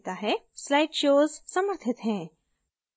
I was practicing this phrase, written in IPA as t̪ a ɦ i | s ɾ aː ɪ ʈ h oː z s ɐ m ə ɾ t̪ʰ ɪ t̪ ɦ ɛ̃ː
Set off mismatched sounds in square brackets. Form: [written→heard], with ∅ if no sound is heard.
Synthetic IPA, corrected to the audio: t̪ a ɦ [i→ɛ] | s [ɾ→l] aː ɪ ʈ [h→ʃ] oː z s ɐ m ə ɾ t̪ʰ ɪ t̪ ɦ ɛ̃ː